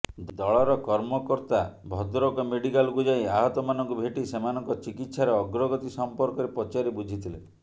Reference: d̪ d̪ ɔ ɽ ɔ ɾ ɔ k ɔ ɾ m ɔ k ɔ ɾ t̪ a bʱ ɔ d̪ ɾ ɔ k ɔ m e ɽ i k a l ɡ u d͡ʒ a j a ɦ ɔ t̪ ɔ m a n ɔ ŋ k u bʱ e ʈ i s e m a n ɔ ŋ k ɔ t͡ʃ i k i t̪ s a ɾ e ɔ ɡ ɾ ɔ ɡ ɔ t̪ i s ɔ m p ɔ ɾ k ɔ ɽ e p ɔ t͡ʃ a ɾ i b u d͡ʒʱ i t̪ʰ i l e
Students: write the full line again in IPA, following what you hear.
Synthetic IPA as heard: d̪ d̪ ɔ ɭ ɔ ɾ ɔ k ɔ ɾ m ɔ k ɔ ɾ t̪ a bʱ ɔ d̪ ɾ ɔ k ɔ m e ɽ i k a l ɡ u d͡ʒ a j a ɦ ɔ t̪ ɔ m a n ɔ ŋ k u bʱ e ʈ i s e m a n ɔ ŋ k ɔ t͡ʃ i k i t̪ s a ɾ e ɔ ɡ ɾ ɔ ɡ ɔ t̪ i s ɔ m p ɔ ɾ k ɔ ɾ e p ɔ t͡ʃ a ɾ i b u d͡ʒʱ i t̪ʰ i l e